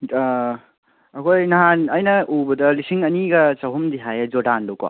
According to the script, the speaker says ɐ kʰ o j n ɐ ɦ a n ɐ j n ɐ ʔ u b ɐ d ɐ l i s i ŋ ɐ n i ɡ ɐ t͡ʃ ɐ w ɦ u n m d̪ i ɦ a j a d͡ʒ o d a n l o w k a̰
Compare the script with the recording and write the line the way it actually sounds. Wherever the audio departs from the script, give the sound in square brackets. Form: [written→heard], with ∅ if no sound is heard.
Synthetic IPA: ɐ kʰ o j n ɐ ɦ a n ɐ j n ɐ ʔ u b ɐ d ɐ l i s i ŋ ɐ n i ɡ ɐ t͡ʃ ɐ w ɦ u [n→∅] m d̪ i ɦ a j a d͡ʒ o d a n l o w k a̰